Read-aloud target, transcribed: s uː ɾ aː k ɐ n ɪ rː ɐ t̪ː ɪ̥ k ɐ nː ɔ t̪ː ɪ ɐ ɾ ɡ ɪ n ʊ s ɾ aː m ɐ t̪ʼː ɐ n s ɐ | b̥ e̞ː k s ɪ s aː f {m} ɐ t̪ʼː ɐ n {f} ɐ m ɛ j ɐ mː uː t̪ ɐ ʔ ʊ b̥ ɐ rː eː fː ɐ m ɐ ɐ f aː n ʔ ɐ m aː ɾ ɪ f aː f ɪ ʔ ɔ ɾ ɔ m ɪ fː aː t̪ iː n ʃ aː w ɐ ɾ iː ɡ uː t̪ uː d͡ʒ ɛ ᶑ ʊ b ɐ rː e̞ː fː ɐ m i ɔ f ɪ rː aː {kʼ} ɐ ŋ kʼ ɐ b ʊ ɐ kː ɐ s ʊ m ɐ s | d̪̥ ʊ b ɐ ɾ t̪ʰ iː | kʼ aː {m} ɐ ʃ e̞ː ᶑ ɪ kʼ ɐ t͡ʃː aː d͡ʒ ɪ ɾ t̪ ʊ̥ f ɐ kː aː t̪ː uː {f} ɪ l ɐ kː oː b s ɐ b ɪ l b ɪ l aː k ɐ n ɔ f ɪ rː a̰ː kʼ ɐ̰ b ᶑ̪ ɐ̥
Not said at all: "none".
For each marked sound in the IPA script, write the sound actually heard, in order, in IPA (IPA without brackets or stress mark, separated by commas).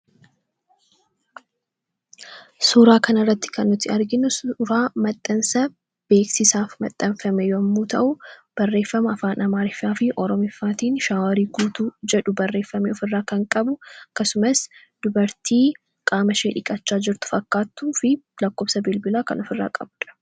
m, f, k, m, f